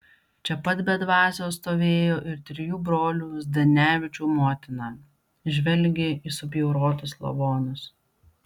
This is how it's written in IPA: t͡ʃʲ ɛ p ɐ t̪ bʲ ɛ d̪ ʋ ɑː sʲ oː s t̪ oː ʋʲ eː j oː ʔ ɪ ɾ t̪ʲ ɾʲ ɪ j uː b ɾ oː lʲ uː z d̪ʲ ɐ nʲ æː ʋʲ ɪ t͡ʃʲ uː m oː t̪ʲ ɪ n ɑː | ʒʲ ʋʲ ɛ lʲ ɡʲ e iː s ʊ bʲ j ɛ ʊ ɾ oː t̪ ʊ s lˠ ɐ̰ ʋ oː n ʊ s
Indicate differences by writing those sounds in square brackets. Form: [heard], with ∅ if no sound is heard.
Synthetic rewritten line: t͡ʃʲ ɛ p ɐ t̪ bʲ ɛ d̪ ʋ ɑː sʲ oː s t̪ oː ʋʲ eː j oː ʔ ɪ ɾ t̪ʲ ɾʲ ɪ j uː b ɾ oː lʲ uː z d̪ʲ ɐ nʲ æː ʋʲ ɪ t͡ʃʲ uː m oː t̪ʲ ɪ n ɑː | ʒʲ ʋʲ ɛ lʲ ɡʲ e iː s ʊ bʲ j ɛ ʊ ɾ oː t̪ ʊ s lˠ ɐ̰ ʋ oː n ʊ s